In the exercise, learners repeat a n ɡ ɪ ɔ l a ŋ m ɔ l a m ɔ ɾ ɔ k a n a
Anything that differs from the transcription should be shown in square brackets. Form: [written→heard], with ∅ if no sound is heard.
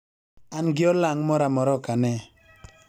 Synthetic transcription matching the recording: a n ɡ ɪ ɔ l a ŋ m ɔ [l→ɾ] a m ɔ ɾ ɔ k a n [a→ɛ]

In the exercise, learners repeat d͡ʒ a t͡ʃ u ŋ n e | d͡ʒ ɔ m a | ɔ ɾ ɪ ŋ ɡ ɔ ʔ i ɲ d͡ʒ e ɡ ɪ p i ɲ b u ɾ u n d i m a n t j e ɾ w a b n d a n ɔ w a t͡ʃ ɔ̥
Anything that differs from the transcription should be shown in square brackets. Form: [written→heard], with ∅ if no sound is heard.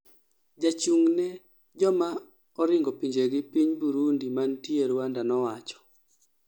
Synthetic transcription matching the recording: d͡ʒ a t͡ʃ u ŋ n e | d͡ʒ ɔ m a | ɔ ɾ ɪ ŋ ɡ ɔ [ʔ→p] i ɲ d͡ʒ e ɡ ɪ p i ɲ b u ɾ u n d i m a n t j e ɾ w a [b→∅] n d a n ɔ w a t͡ʃ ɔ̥

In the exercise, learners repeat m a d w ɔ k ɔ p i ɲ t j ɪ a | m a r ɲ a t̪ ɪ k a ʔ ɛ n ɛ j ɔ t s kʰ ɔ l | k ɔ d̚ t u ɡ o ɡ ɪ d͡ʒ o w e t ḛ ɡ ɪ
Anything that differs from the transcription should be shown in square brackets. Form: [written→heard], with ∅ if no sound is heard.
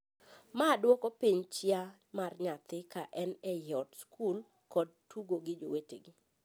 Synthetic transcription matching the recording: m a d w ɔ k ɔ p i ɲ [t→t͡ʃ] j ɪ a | m a r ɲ a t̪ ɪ k a ʔ ɛ n ɛ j ɔ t s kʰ [ɔ→u] l | k ɔ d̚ t u ɡ o ɡ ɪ d͡ʒ o w e t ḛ ɡ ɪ

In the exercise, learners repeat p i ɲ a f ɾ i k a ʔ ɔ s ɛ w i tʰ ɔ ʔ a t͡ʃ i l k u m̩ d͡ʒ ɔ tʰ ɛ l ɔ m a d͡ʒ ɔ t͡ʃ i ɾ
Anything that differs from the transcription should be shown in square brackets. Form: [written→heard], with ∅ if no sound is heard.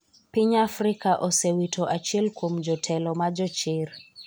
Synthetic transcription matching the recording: p i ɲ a f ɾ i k a ʔ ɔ s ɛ w i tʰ ɔ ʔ a t͡ʃ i l k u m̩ d͡ʒ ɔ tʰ ɛ l ɔ m a d͡ʒ ɔ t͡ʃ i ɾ

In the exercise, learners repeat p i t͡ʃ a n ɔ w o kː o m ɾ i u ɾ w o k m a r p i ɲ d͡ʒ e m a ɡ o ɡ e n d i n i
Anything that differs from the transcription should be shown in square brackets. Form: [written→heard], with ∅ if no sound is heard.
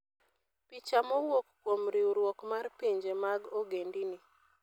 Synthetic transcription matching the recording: p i t͡ʃ a [n→m] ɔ w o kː o m ɾ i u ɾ w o k m a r p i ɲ d͡ʒ e m a ɡ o ɡ e n d i n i

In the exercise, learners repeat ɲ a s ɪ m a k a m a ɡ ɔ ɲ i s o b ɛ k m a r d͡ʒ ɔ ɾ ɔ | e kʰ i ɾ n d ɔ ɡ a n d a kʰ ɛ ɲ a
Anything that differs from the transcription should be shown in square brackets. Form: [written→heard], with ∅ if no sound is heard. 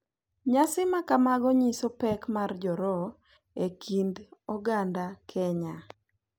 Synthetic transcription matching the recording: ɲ a s ɪ m a k a m a ɡ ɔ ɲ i s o [b→p] ɛ k m a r d͡ʒ ɔ ɾ ɔ | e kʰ i [ɾ→∅] n d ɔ ɡ a n d a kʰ ɛ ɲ a

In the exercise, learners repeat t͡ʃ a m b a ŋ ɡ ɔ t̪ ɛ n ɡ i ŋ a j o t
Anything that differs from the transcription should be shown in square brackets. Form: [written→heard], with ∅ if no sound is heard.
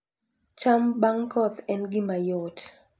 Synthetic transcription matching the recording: t͡ʃ a m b a ŋ [ɡ→k] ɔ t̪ ɛ n ɡ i [ŋ→m] a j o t

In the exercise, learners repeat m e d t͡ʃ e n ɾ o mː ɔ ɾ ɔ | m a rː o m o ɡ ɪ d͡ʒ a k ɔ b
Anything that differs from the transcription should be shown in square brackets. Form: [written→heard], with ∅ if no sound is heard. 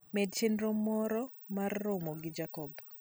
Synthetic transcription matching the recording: m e d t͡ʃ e n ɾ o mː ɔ ɾ ɔ | m a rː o m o ɡ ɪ d͡ʒ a k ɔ b

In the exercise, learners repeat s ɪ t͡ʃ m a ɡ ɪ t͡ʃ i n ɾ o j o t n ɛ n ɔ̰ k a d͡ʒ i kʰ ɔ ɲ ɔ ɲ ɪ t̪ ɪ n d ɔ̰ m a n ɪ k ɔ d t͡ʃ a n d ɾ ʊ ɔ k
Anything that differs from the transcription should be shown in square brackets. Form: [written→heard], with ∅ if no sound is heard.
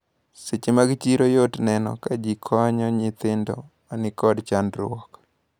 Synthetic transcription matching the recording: s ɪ t͡ʃ m a ɡ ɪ t͡ʃ i [n→∅] ɾ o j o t n ɛ n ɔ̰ k a d͡ʒ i kʰ ɔ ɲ ɔ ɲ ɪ t̪ ɪ n d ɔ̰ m a n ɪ k ɔ d t͡ʃ a n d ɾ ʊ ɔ k

